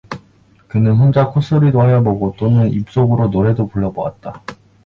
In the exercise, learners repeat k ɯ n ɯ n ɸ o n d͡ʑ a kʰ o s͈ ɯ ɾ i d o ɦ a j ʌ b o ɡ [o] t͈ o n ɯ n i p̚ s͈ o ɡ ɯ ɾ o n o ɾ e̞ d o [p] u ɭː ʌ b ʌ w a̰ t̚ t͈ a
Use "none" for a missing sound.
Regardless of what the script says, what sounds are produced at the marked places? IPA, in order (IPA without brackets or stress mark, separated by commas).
o, p